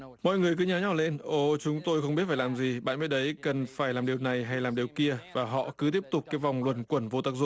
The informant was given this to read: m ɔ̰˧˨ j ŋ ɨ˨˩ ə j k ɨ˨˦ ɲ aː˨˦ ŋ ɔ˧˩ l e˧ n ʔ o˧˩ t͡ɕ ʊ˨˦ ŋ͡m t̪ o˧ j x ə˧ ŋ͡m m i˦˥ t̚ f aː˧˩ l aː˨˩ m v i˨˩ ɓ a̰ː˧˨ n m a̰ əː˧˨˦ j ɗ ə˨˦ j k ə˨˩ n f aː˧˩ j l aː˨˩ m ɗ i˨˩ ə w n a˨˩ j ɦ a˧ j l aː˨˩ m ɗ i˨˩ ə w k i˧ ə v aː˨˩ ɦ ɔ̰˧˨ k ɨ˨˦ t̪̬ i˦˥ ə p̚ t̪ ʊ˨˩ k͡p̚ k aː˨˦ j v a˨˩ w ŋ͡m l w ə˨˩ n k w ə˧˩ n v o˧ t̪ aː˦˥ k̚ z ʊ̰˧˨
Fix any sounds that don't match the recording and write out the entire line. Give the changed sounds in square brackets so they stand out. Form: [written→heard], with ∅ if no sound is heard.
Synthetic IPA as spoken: m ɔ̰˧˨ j ŋ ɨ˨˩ ə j k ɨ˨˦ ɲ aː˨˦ [ŋ→ɲ] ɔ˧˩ l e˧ n ʔ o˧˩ t͡ɕ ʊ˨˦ ŋ͡m t̪ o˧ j x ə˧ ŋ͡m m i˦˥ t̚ f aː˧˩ l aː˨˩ m [v→z] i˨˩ ɓ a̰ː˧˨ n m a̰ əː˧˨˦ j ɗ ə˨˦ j k ə˨˩ n f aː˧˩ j l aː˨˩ m ɗ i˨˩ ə w n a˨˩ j ɦ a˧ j l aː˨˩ m ɗ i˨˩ ə w k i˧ ə v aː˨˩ ɦ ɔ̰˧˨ k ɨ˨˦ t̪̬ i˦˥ ə p̚ t̪ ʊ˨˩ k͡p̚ k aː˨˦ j v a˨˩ w ŋ͡m l w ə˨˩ n k w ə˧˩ n v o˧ t̪ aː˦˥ k̚ z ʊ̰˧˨